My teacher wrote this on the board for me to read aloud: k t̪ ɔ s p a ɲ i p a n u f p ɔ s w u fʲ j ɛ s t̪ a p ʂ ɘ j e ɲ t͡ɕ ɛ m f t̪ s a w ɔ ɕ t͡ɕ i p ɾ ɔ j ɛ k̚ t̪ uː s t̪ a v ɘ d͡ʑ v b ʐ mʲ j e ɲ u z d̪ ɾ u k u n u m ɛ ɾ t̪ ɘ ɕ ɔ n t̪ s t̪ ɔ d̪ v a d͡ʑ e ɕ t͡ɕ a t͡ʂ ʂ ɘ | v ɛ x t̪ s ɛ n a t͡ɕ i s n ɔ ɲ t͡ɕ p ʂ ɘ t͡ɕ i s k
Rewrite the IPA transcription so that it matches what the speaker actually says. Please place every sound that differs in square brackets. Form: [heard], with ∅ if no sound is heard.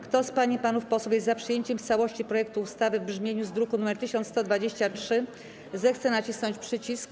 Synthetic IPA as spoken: k t̪ ɔ s p a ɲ i p a n u f p ɔ s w u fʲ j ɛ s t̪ a p ʂ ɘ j e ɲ t͡ɕ ɛ m f t̪ s a w ɔ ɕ t͡ɕ i p ɾ ɔ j ɛ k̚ t̪ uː s t̪ a v ɘ [∅] v b ʐ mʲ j e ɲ u z d̪ ɾ u k u n u m ɛ ɾ t̪ ɘ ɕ ɔ n t̪ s t̪ ɔ d̪ v a d͡ʑ e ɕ t͡ɕ a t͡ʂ ʂ ɘ | [z] ɛ x t̪ s ɛ n a t͡ɕ i s n ɔ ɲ t͡ɕ p ʂ ɘ t͡ɕ i s k